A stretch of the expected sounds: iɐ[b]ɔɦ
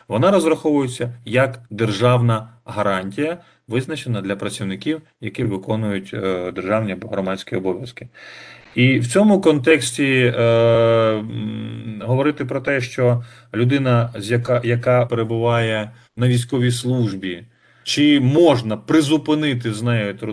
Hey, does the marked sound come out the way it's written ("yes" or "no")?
yes